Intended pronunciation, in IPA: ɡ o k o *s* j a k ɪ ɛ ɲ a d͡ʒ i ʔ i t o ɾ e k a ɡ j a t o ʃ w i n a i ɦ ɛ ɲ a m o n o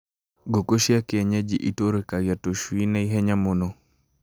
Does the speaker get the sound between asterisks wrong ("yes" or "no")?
yes